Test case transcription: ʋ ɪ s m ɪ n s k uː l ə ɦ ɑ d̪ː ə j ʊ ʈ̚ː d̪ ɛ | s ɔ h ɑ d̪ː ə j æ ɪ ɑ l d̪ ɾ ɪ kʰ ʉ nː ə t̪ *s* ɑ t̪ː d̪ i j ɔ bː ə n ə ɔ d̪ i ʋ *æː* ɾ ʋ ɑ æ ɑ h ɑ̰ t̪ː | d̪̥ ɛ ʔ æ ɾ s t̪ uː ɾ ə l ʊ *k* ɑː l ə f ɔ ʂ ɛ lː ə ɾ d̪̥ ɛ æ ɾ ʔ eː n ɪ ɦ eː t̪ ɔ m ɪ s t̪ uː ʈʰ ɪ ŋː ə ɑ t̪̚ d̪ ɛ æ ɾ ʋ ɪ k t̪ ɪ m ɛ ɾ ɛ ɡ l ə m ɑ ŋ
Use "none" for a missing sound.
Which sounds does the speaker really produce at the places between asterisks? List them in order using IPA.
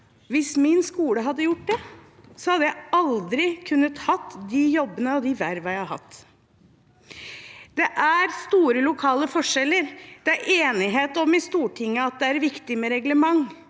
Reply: h, æ, kʰ

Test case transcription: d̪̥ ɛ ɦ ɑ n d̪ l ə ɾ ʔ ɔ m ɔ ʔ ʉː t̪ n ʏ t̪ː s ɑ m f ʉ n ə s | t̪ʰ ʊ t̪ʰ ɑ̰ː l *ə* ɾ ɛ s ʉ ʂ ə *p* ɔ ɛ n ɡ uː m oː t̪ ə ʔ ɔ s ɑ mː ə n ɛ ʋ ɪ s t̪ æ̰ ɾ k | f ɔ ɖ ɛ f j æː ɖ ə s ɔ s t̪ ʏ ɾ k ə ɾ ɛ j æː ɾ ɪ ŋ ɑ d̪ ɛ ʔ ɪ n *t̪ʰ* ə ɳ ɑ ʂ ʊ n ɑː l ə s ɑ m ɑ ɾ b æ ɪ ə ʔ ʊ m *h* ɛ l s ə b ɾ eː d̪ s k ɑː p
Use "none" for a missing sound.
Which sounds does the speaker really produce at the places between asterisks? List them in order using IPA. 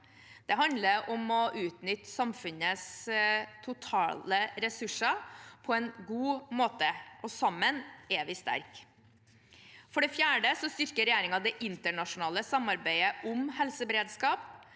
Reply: ə, pʰ, t̪, h

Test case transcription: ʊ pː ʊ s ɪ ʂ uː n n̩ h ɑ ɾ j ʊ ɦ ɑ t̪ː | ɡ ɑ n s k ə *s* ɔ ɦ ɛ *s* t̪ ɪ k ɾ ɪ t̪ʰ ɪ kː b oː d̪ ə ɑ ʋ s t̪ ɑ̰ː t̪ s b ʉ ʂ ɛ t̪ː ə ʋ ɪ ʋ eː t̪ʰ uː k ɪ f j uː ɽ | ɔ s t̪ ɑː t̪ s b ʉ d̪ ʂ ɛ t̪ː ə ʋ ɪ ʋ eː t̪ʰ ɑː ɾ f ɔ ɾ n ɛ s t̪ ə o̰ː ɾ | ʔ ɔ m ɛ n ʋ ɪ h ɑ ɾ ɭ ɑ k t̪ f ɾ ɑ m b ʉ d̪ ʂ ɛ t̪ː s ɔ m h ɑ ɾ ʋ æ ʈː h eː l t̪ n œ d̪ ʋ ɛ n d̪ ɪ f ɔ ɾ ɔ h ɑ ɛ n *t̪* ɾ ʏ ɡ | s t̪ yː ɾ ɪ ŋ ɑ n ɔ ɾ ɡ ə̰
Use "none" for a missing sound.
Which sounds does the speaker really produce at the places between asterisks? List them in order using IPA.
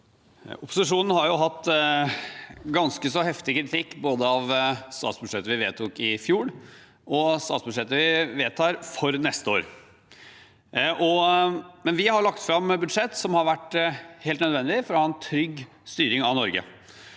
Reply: s, f, t̪ʰ

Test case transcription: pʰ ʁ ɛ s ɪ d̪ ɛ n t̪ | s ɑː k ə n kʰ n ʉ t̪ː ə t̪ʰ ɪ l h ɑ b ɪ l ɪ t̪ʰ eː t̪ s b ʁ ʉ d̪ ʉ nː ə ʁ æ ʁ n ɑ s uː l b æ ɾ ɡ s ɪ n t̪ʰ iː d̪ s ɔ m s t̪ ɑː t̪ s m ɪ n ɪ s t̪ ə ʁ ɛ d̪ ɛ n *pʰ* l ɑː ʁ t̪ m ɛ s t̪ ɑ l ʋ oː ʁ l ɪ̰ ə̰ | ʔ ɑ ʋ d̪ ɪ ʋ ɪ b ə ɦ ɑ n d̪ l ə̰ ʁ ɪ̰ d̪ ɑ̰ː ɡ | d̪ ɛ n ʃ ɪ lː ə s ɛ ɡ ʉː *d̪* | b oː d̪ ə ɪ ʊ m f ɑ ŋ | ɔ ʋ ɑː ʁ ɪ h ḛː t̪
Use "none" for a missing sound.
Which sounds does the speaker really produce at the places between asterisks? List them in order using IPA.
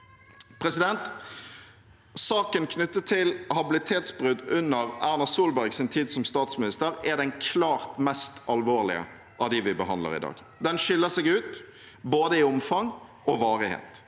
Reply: kʰ, t̪

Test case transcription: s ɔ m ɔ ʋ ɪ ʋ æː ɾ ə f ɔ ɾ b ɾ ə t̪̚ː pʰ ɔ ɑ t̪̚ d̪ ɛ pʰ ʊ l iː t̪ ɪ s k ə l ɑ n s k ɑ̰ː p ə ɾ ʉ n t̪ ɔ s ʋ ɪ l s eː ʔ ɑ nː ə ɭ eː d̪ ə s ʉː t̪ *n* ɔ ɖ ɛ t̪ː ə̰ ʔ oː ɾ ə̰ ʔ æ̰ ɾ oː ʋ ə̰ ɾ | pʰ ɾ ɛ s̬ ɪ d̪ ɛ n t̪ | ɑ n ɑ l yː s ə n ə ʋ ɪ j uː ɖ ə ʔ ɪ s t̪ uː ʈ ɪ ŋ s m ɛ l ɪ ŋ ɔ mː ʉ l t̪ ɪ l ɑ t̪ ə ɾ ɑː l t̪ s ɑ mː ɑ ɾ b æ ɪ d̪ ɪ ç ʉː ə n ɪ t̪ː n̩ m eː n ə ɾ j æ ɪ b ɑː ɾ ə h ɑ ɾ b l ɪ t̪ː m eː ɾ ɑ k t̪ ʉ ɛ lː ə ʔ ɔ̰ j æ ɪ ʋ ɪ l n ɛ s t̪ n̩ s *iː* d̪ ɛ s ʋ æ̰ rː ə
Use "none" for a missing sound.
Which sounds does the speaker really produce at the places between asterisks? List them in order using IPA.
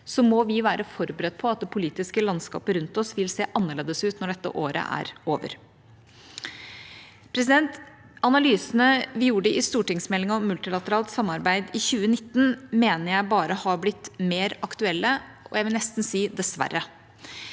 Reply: n, iː

